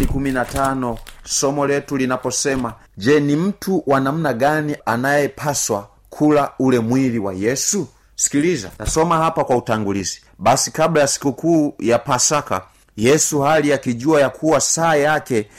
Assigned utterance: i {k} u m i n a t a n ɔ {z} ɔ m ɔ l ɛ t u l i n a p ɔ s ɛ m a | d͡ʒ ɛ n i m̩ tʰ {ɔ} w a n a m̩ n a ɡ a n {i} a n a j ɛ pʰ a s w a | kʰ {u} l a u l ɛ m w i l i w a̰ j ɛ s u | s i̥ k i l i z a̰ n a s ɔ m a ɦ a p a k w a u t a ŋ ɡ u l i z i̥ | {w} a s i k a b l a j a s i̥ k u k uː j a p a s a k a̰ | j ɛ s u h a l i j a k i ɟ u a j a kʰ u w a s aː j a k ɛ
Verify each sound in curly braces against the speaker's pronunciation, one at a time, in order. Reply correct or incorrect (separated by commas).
correct, incorrect, incorrect, correct, correct, incorrect